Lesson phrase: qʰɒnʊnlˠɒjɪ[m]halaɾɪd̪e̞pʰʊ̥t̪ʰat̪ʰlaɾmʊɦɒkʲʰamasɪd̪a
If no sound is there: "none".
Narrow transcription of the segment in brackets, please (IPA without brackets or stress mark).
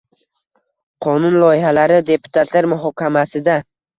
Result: none